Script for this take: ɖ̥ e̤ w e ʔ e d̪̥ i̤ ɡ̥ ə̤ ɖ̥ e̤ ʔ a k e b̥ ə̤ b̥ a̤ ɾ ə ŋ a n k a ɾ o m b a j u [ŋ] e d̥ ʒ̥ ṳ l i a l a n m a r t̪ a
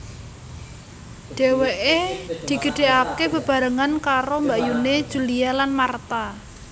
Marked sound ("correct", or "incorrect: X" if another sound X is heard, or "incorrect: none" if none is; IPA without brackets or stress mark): incorrect: n